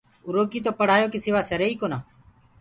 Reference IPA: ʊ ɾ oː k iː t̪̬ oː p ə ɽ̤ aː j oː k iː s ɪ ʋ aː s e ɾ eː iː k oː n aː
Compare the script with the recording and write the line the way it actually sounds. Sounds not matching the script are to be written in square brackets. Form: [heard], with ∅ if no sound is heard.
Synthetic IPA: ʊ ɾ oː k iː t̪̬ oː p ə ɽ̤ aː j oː k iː s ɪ ʋ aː s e ɾ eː iː k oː n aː